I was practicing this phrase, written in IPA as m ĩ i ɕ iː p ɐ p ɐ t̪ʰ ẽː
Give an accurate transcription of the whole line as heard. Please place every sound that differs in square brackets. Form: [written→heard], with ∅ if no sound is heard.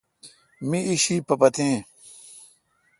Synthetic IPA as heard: m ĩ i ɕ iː p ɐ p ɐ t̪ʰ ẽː